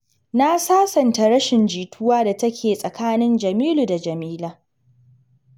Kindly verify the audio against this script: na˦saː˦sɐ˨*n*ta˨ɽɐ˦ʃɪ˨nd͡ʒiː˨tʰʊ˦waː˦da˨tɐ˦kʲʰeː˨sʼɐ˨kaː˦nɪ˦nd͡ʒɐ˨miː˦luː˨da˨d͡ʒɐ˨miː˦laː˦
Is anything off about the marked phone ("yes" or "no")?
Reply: no